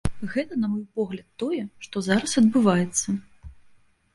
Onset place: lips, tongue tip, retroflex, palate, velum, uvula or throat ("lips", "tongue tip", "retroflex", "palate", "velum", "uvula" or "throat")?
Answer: velum